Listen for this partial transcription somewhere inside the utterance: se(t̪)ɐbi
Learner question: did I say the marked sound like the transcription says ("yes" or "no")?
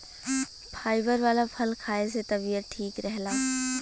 yes